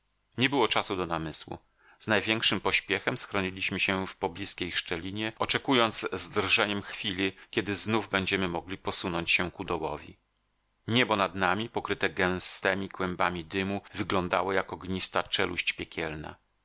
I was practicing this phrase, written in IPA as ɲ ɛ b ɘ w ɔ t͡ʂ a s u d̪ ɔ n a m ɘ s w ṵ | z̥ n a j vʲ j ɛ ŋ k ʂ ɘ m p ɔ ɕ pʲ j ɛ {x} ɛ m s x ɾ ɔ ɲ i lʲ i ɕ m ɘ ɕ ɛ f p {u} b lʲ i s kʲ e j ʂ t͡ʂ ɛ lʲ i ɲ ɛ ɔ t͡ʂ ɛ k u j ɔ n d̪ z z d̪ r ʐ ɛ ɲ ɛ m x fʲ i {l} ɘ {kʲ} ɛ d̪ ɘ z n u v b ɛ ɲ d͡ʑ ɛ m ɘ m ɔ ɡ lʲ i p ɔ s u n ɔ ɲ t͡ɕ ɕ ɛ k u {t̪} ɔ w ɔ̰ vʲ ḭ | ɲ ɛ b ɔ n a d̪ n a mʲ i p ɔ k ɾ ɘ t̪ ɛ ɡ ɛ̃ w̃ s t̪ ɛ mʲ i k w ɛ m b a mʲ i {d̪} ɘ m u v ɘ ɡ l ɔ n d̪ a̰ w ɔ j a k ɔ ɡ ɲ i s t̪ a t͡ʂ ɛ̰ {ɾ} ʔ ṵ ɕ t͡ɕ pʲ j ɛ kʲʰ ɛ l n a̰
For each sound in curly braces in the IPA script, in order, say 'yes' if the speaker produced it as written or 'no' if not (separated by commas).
yes, no, yes, yes, no, yes, no